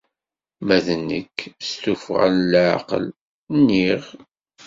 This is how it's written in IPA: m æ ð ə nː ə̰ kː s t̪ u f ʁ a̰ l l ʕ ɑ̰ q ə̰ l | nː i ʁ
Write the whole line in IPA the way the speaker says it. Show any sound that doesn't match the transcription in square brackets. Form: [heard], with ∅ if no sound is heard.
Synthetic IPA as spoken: m æ ð ə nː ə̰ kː s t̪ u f ʁ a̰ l l ʕ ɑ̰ q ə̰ l | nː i ʁ

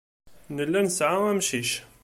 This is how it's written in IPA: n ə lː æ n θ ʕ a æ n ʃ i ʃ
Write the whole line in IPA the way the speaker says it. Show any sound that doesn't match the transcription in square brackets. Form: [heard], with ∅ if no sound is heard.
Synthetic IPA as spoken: n ə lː æ n [s] ʕ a æ [m] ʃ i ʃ

